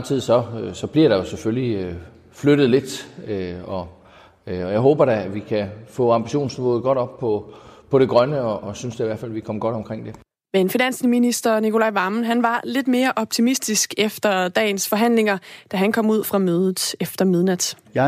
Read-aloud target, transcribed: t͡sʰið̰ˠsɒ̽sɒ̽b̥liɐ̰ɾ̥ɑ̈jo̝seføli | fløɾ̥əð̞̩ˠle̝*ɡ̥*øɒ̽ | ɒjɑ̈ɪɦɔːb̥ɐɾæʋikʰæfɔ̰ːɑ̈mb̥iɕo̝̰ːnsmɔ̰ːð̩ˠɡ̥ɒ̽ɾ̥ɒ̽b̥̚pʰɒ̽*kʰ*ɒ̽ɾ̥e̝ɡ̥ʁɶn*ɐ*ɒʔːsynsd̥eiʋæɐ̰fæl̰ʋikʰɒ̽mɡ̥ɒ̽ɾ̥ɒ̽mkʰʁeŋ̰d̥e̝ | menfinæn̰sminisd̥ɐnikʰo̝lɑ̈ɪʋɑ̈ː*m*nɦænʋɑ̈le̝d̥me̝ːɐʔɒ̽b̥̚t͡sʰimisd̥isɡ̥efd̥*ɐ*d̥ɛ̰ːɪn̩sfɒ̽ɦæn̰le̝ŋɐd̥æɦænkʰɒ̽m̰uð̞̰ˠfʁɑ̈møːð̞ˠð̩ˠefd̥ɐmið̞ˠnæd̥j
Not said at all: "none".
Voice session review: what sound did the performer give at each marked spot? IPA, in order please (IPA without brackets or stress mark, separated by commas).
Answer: d̥, pʰ, ə, m, ɐ